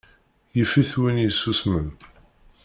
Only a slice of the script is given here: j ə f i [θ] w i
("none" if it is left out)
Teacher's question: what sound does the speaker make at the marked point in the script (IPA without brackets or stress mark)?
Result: θ